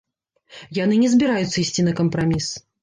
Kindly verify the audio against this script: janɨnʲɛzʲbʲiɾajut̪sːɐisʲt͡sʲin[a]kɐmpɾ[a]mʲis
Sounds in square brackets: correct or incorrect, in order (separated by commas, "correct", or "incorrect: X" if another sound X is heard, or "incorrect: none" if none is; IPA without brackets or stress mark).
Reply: incorrect: ɐ, correct